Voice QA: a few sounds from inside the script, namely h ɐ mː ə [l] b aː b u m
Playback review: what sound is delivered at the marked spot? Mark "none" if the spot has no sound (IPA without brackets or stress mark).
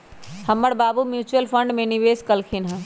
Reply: ɽ